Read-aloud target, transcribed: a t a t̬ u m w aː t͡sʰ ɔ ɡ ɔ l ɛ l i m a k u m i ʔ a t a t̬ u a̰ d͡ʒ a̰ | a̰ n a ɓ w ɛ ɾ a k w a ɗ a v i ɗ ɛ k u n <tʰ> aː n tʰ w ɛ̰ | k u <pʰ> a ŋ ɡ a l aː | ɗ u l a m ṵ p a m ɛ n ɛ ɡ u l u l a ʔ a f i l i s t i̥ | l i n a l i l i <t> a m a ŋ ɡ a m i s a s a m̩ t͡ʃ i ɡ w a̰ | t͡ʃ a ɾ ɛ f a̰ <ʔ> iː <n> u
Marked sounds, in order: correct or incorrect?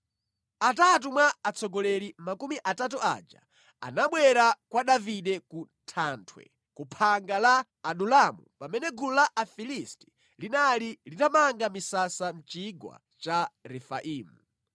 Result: correct, correct, correct, correct, incorrect

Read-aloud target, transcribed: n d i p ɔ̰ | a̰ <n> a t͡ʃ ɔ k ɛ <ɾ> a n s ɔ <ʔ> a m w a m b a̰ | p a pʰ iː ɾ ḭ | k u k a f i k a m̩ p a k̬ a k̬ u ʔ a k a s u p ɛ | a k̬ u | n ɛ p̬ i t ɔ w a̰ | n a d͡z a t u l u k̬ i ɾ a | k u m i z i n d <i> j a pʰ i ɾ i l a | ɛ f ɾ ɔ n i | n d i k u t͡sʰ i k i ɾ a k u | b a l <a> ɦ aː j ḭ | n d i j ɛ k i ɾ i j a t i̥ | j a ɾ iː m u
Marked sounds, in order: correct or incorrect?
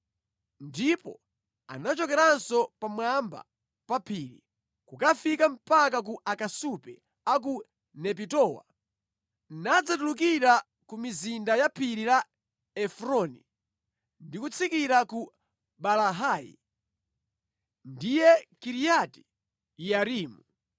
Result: correct, correct, incorrect, incorrect, correct

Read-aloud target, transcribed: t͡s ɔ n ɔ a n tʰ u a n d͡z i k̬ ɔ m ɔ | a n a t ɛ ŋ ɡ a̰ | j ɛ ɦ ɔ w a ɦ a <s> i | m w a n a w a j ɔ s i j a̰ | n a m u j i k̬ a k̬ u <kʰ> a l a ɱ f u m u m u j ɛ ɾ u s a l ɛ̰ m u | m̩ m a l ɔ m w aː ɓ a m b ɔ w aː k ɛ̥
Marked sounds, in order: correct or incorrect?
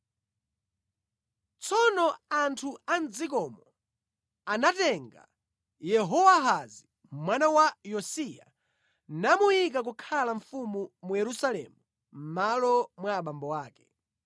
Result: incorrect, correct

